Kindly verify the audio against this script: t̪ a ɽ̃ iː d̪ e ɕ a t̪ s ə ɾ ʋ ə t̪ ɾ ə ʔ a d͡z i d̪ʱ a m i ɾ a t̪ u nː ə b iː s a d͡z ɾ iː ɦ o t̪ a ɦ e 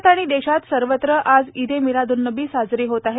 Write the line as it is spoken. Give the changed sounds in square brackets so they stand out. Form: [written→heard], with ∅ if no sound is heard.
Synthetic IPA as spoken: t̪ a ɽ̃ [iː→i] d̪ e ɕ a t̪ s ə ɾ ʋ ə t̪ ɾ ə ʔ a d͡z i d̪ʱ [a→e] m i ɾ a [t̪→d̪] u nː ə b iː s a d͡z ɾ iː ɦ o t̪ a ɦ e